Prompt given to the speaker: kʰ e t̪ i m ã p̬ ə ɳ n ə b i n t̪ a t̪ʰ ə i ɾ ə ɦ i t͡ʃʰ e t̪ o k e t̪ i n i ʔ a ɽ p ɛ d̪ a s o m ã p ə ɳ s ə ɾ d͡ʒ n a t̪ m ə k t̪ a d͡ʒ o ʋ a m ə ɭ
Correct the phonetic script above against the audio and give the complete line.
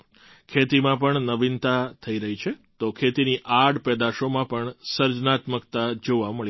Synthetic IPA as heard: kʰ e t̪ i m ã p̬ ə ɳ n ə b i n t̪ a t̪ʰ ə i ɾ ə ɦ i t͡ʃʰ e t̪ o kʰ e t̪ i n i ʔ a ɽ p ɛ d̪ a ʃ o m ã p ə ɳ s ə ɾ d͡ʒ n a t̪ m ə k t̪ a d͡ʒ o ʋ a m ə ɭ

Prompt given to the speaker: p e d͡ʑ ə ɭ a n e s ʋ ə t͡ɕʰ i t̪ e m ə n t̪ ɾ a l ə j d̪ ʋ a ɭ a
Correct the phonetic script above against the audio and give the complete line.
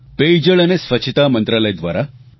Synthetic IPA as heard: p e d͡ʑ ə ɭ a n e s ʋ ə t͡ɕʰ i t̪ a m ə n t̪ ɾ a l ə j d̪ ʋ a ɾ a

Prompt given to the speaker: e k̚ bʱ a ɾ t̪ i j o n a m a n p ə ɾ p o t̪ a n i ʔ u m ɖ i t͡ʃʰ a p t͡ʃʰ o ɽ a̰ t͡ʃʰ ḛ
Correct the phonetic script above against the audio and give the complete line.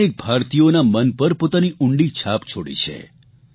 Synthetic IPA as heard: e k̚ bʱ a ɾ t̪ i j o n a m ə n p ə ɾ p o t̪ a n i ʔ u ɳ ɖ i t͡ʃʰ a p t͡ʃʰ o ɽ ḭ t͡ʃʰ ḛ

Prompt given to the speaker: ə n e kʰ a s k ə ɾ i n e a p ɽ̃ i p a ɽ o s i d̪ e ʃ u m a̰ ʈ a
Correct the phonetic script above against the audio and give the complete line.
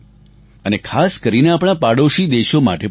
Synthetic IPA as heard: ə n e kʰ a s k ə ɾ i n e a p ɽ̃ a p a ɽ o ʃ i d̪ e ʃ o m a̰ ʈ e

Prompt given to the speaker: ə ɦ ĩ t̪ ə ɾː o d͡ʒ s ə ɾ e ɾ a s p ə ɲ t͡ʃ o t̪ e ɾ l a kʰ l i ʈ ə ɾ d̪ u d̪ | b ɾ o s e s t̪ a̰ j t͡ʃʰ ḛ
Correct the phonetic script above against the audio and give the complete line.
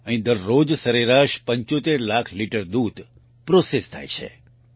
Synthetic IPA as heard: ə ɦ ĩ d̪ ə ɾː o d͡ʒ s ə ɾ e ɾ a ʃ p ə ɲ t͡ʃ o t̪ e ɾ l a kʰ l i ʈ ə ɾ d̪ u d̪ | p ɾ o s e s t̪ʰ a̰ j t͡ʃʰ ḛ

